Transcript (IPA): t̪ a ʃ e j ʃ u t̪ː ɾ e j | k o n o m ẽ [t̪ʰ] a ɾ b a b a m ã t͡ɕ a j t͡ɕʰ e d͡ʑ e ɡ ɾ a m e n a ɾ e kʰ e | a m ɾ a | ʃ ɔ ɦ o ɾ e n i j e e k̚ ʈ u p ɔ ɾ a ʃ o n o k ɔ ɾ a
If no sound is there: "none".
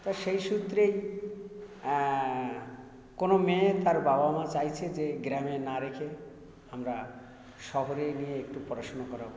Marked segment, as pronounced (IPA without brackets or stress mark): t̪